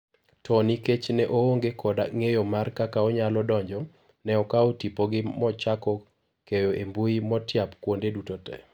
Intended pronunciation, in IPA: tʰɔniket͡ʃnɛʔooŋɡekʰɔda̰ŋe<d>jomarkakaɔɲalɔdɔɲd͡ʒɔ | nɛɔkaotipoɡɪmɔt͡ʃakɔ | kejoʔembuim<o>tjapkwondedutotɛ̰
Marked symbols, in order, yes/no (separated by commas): no, no